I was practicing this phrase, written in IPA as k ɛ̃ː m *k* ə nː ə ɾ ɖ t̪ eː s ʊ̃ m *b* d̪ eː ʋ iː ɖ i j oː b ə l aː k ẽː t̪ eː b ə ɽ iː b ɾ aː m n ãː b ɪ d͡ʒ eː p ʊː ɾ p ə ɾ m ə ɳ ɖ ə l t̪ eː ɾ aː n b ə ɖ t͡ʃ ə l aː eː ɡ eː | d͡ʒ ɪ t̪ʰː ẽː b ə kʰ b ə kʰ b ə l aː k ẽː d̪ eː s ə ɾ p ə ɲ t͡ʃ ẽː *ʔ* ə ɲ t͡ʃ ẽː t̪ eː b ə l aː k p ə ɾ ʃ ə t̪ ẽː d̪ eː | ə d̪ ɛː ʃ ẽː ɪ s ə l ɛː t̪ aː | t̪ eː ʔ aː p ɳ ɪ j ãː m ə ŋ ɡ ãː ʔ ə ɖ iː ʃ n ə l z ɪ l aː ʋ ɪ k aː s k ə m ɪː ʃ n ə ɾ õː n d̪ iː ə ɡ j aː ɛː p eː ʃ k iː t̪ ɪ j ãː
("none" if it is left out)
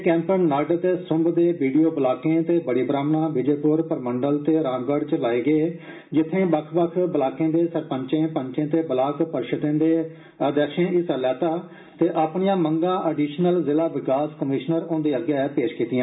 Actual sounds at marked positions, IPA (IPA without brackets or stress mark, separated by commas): p, b, p